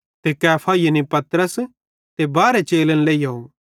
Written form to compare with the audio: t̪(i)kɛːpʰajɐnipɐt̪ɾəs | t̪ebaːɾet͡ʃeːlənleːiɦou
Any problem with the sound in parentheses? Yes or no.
yes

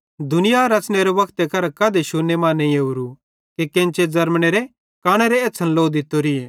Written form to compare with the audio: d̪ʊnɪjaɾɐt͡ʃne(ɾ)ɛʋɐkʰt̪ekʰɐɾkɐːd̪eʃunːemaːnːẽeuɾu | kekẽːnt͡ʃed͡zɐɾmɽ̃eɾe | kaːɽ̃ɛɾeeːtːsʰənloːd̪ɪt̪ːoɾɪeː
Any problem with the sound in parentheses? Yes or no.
no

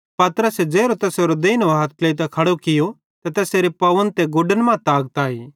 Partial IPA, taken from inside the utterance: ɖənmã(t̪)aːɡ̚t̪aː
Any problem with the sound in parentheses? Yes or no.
no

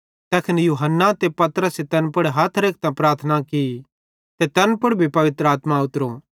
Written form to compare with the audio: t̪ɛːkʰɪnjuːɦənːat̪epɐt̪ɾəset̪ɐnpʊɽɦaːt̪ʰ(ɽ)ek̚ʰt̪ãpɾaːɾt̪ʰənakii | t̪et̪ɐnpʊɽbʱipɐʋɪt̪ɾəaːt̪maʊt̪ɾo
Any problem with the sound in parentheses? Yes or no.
yes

